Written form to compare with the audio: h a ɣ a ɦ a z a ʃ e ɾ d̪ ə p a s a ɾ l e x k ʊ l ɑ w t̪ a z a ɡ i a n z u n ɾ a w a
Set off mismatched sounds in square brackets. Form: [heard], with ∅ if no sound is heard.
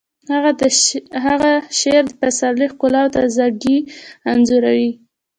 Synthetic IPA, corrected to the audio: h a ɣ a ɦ a [ɣ] a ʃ e ɾ d̪ ə p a s a ɾ l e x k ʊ l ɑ w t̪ a z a ɡ i a n z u [∅] ɾ a w [i]